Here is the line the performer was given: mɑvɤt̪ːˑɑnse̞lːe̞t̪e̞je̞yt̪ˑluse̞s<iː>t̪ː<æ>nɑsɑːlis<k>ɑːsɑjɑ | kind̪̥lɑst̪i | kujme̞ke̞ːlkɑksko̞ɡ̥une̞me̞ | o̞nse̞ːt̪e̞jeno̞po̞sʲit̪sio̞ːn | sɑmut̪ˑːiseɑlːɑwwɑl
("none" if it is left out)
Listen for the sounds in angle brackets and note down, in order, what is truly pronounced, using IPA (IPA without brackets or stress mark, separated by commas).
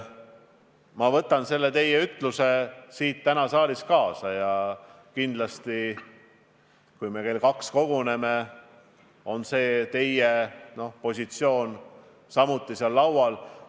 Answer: iː, æ, k